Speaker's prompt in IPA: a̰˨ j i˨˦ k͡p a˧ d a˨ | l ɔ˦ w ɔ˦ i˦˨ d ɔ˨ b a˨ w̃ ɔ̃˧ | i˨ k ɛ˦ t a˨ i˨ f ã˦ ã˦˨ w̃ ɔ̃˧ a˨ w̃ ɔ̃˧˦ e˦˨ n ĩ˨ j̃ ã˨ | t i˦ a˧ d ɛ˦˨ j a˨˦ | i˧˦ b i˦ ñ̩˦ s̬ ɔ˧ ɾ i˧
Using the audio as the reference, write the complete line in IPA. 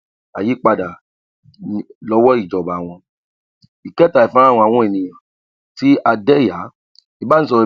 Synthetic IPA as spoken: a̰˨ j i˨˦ k͡p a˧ d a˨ | l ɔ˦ w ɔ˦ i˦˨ d͡ʒ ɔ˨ b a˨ w̃ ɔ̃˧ | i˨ k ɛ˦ t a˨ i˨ f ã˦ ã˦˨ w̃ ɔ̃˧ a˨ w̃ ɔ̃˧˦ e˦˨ n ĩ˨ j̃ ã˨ | t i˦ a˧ d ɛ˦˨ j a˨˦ | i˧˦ b a˦ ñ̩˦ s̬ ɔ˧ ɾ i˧